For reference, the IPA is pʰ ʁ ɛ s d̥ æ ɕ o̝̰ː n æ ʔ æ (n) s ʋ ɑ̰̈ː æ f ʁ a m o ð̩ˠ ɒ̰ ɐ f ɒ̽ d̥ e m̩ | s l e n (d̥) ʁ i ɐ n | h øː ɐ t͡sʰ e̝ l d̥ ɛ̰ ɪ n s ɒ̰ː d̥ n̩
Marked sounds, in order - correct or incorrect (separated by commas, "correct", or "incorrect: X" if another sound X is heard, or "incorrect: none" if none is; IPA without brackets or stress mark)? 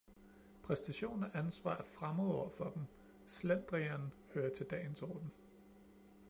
correct, correct